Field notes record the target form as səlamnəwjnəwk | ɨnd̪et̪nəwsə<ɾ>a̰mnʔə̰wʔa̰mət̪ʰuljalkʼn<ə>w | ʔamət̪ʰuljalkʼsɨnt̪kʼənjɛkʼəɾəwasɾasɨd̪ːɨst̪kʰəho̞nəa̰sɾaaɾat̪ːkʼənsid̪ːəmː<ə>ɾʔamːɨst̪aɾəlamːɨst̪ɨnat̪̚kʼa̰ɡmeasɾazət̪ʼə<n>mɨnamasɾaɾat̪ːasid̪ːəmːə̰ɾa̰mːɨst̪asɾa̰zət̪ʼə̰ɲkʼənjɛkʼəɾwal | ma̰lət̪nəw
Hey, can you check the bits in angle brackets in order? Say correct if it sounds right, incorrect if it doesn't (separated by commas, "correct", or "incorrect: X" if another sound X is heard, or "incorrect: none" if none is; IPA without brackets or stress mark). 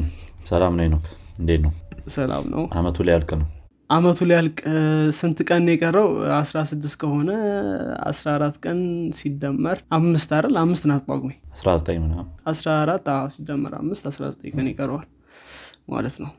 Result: incorrect: l, correct, correct, incorrect: ɲ